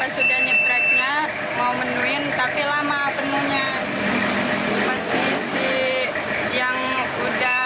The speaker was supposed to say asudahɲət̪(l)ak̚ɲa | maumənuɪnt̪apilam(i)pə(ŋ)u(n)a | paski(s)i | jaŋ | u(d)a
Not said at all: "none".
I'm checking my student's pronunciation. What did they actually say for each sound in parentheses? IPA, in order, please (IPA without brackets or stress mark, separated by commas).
ɾ, a, n, ɲ, s, d